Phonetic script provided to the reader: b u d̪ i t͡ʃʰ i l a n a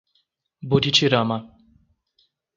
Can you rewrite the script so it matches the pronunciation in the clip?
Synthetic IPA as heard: b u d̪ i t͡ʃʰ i ɾ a m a